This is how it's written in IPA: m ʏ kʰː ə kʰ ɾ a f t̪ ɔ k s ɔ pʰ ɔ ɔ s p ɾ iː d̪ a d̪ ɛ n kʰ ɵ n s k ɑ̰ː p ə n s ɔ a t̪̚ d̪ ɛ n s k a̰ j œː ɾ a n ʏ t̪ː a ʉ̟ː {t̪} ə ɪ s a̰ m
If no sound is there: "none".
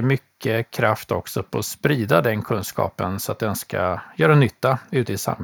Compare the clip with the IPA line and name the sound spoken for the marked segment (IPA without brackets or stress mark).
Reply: t̪